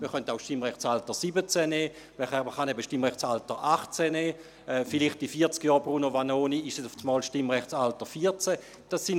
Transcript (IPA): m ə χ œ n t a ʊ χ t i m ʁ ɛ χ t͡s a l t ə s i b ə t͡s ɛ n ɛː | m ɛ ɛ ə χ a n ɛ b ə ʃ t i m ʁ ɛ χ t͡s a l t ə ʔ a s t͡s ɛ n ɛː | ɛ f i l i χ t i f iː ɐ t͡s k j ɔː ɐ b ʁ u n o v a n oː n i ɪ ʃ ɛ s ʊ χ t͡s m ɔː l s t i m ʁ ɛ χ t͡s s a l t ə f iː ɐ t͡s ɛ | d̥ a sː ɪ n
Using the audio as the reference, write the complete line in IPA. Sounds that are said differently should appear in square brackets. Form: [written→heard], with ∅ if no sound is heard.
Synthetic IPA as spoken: m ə χ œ n t a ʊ [χ→ʃ] t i m ʁ ɛ χ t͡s a l t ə s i b ə t͡s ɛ n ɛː | m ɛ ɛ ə χ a n ɛ b ə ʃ t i m ʁ ɛ χ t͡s a l t ə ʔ a [s→χ] t͡s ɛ n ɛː | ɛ f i l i χ t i f iː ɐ t͡s k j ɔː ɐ b ʁ u n o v a n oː n i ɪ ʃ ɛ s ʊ [χ→f] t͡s m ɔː l [s→ʃ] t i m ʁ ɛ χ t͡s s a l t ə f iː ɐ t͡s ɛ | d̥ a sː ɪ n